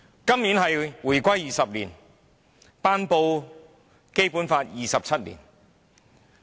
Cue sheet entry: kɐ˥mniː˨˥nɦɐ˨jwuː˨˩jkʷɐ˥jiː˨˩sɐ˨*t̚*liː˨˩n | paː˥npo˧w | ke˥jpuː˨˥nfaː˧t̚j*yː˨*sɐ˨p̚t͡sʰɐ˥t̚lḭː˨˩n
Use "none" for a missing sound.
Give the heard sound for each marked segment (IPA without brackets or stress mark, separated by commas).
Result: p̚, iː˨